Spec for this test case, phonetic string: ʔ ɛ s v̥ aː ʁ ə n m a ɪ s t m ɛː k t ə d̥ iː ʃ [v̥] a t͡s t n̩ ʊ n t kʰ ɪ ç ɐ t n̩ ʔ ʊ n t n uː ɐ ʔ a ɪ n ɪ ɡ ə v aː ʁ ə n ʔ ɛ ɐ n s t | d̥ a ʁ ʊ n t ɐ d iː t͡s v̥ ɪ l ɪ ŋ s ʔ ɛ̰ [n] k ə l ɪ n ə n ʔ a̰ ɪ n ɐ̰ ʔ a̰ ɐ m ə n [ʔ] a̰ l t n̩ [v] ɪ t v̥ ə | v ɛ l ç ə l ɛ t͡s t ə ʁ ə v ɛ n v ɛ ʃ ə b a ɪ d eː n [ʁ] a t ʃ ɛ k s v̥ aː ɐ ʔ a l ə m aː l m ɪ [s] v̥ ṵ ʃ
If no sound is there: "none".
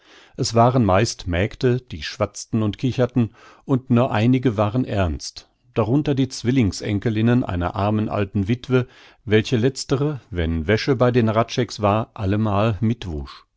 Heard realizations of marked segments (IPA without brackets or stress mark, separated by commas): v̥, ŋ, ʔ, v, ʁ, t